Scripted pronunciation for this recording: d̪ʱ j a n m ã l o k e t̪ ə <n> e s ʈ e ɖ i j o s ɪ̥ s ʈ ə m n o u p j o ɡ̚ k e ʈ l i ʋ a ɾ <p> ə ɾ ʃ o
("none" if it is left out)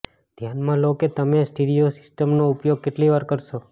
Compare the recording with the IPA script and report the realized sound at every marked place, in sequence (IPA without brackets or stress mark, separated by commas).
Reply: m, k